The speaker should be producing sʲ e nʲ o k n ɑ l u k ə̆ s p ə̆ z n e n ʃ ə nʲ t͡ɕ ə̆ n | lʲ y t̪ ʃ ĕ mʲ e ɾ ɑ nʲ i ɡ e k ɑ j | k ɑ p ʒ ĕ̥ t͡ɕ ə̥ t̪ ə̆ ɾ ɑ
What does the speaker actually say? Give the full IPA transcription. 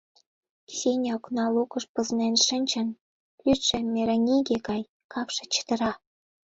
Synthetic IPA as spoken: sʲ e nʲ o k n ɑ l u k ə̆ ʃ p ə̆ z n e n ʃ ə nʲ t͡ɕ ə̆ n | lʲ y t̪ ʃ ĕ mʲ e ɾ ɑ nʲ i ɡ e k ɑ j | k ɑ p ʃ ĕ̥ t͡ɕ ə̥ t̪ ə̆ ɾ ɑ